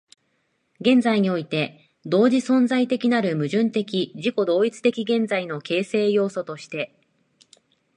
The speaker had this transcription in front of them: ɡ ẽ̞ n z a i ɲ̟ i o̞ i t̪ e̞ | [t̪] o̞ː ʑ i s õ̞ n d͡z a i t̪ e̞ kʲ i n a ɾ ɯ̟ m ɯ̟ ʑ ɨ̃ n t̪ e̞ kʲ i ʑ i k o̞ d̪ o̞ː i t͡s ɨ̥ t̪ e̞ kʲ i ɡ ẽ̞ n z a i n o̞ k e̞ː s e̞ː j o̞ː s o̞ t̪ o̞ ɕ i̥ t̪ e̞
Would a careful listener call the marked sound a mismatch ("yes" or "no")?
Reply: yes